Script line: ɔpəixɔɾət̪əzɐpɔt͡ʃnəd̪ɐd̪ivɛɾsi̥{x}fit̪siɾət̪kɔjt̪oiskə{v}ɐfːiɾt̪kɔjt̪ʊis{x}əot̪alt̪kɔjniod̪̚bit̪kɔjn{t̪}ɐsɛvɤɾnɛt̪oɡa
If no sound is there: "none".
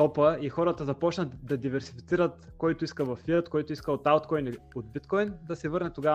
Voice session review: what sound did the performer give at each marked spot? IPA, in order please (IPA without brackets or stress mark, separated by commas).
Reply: none, v, k, d̪